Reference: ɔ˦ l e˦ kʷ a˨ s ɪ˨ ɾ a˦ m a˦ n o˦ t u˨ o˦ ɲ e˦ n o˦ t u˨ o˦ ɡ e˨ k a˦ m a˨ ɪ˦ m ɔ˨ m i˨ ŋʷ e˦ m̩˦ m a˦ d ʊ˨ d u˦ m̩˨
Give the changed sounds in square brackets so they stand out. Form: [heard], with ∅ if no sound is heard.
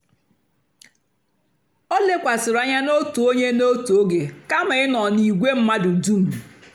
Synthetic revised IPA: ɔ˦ l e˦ kʷ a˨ s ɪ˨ ɾ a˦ [ɲ] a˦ n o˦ t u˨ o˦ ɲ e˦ n o˦ t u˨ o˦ ɡ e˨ k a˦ m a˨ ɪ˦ [n] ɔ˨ [n] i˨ [ɡʷ] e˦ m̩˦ m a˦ d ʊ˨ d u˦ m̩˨